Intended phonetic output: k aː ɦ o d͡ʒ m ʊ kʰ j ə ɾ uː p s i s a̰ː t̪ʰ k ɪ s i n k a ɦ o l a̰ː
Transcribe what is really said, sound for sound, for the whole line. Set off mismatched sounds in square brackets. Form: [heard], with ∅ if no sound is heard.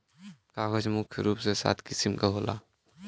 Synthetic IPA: k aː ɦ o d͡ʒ m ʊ kʰ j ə ɾ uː p s [e] s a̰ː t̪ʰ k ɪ s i [m] k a ɦ o l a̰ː